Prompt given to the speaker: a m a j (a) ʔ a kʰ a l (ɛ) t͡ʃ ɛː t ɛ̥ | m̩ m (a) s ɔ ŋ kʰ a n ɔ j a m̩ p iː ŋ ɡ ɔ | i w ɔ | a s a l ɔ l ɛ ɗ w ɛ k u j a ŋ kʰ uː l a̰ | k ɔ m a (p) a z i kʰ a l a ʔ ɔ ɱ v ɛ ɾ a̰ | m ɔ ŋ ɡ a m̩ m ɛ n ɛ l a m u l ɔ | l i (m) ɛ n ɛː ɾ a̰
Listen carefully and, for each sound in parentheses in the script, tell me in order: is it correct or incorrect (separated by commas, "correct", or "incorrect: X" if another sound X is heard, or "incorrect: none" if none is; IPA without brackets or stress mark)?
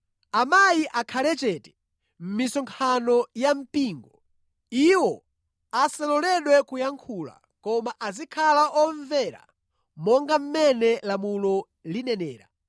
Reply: incorrect: i, correct, incorrect: i, incorrect: ʔ, incorrect: n